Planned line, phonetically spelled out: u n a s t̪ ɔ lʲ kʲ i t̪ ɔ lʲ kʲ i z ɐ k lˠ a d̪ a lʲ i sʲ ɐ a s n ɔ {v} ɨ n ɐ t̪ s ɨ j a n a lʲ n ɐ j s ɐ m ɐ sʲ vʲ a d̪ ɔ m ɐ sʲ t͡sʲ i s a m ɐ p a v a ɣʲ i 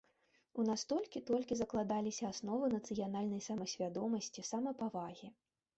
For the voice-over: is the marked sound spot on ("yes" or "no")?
yes